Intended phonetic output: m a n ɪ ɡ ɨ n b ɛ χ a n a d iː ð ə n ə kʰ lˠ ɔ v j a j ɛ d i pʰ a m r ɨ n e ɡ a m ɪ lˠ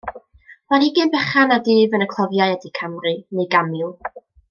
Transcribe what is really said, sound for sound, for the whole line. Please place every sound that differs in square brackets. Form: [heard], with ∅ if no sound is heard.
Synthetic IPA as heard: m a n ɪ ɡ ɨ n b ɛ χ a n a d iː [v] ə n ə kʰ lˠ ɔ v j a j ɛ d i [kʰ] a m r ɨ n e ɡ a m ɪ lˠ